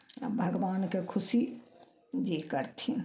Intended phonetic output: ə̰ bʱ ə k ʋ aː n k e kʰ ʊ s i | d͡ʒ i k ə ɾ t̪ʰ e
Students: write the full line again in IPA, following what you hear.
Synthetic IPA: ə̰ bʱ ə ɡ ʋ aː n k e kʰ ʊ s i | d͡ʒ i k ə ɾ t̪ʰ i